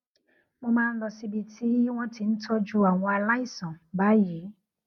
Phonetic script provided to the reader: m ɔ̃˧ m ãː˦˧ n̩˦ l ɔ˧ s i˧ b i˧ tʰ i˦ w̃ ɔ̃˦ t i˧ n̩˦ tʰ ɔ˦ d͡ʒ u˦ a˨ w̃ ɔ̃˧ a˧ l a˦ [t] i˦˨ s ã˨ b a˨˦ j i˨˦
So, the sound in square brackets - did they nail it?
no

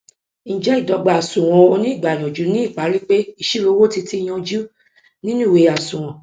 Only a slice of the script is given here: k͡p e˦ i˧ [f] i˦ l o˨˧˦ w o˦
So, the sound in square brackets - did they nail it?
no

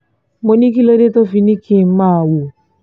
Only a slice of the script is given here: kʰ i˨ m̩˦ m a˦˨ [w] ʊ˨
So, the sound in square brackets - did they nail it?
yes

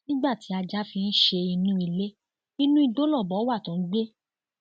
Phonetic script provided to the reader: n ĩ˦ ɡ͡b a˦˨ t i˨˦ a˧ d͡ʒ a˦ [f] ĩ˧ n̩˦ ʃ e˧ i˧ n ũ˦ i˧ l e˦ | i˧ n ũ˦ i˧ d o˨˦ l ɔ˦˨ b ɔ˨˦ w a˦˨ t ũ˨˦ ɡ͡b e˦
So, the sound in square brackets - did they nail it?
yes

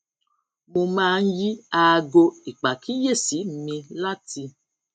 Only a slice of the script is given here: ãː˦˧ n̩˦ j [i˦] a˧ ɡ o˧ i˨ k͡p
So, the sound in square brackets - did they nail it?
yes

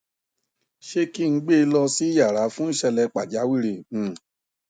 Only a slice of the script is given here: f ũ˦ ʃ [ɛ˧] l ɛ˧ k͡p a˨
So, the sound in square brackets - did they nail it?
yes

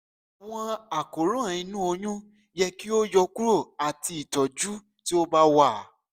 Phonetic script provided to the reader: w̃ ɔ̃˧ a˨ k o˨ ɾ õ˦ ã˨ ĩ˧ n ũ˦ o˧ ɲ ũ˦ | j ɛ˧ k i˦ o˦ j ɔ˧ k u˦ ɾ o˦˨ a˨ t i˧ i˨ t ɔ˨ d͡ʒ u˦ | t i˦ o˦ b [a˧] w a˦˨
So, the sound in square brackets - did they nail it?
yes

